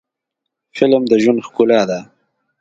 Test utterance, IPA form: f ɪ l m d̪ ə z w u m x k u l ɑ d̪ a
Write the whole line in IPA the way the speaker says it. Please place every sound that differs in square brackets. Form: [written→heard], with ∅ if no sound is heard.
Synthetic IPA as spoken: f ɪ l m d̪ ə [z→ʒ] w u [m→n] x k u l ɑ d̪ a